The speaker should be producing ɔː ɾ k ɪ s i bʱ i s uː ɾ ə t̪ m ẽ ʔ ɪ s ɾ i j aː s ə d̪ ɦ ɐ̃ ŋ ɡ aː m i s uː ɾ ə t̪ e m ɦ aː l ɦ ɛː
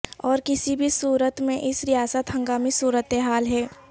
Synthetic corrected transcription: ɔː ɾ k ɪ s i bʱ i s uː ɾ ə t̪ m ẽ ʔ ɪ s ɾ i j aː s ə t̪ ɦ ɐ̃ ŋ ɡ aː m i s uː ɾ ə t̪ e ɦ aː l ɦ ɛː